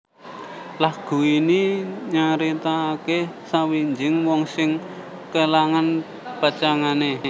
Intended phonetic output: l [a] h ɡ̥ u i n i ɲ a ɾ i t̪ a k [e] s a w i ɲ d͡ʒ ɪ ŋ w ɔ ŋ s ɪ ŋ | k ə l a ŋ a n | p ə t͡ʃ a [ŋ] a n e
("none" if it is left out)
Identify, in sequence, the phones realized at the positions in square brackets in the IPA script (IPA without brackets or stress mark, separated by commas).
a, e, ŋ